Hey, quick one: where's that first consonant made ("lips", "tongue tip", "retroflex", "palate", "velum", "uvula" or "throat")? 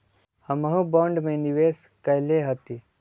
throat